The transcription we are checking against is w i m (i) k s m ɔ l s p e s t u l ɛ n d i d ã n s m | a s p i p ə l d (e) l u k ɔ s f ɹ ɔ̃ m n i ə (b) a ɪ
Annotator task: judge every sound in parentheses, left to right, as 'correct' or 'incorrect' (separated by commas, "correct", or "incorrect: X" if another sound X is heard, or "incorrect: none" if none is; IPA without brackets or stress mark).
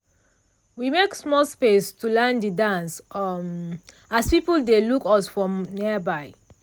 incorrect: e, correct, correct